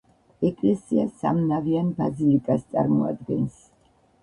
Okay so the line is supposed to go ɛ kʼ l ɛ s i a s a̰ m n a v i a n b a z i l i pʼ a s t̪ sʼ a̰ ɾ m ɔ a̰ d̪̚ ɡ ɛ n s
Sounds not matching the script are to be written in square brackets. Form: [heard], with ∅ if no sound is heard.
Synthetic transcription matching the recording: ɛ kʼ l ɛ s i a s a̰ m n a v i a n b a z i l i [kʼ] a s t̪ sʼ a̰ ɾ m ɔ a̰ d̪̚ ɡ ɛ n s